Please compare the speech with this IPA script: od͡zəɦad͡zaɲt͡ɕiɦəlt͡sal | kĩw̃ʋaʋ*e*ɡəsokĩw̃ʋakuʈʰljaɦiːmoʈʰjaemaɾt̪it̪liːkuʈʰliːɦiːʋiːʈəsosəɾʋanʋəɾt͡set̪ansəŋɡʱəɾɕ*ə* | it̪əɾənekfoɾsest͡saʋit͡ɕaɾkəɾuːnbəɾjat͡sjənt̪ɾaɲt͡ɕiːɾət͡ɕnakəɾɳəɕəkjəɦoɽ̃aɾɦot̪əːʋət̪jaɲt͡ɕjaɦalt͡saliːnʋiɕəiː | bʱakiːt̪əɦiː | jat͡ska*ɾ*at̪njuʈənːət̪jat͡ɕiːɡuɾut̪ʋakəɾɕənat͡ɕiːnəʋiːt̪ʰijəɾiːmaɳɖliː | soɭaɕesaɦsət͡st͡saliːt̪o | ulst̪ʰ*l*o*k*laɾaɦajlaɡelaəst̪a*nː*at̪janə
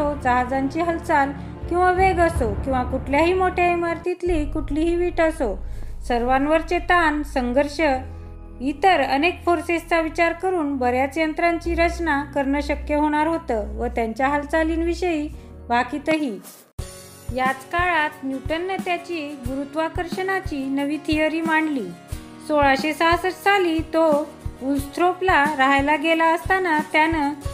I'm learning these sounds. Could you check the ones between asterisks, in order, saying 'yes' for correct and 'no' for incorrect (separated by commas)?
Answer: yes, yes, no, no, no, no